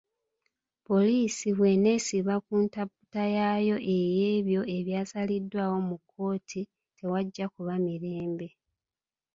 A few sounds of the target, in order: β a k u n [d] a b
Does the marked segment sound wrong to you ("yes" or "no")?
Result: yes